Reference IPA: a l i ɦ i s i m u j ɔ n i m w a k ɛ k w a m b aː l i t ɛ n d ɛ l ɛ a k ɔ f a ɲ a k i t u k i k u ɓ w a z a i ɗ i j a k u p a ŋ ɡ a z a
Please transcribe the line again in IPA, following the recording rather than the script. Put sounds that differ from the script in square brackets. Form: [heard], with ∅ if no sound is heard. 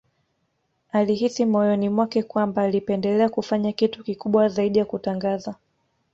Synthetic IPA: a l i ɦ i s i m [ɔ] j ɔ n i m w a k ɛ k w a m b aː l i [p] ɛ n d ɛ l ɛ a k [u] f a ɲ a k i t u k i k u ɓ w a z a i ɗ i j a k u [t] a ŋ ɡ a z a